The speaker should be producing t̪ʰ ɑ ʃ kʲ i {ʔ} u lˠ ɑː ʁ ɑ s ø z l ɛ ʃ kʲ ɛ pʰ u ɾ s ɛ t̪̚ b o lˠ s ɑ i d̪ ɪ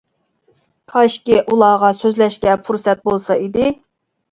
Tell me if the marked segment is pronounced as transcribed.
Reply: yes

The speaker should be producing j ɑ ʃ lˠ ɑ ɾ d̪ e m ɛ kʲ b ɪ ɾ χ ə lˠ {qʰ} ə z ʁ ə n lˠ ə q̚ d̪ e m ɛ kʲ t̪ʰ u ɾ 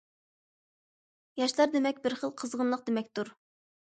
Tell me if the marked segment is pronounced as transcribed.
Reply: yes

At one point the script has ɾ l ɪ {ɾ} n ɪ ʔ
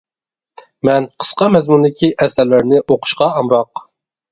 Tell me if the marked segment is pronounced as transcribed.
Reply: yes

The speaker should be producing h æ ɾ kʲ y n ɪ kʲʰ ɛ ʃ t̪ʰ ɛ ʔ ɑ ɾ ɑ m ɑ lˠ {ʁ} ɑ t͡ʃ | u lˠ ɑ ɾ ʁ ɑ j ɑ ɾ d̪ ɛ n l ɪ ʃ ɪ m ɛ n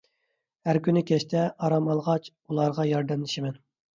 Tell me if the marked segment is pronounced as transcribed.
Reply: yes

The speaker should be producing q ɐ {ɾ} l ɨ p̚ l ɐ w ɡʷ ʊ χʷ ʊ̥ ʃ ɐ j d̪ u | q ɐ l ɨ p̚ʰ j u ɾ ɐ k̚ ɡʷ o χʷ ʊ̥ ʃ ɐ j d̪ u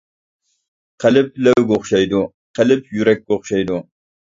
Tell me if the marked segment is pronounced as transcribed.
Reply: no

